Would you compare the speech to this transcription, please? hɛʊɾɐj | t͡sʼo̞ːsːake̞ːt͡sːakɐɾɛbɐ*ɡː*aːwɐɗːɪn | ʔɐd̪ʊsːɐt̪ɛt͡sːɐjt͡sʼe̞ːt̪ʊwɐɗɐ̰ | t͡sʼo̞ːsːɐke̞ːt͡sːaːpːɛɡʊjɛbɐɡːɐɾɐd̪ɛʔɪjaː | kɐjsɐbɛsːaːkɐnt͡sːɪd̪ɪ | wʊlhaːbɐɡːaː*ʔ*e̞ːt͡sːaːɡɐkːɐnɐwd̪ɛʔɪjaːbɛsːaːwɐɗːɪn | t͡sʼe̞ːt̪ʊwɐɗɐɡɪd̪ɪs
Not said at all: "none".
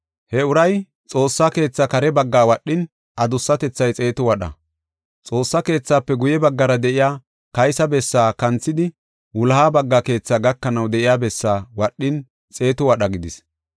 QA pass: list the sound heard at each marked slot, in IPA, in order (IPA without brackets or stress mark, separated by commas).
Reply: ɡː, k